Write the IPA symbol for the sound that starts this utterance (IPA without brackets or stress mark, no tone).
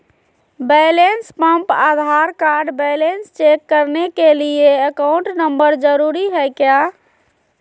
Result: b